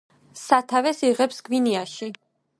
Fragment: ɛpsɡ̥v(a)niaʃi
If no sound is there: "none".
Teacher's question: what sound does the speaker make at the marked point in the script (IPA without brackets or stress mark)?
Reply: i